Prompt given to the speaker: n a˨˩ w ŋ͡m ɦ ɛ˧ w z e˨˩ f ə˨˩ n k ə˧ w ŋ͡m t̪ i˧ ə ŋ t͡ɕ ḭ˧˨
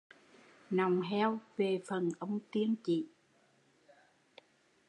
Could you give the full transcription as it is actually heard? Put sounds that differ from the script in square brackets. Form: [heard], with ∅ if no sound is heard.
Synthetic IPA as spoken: n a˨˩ w ŋ͡m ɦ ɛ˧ w [v] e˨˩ f ə˨˩ n [ʔ] ə˧ w ŋ͡m t̪ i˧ ə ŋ t͡ɕ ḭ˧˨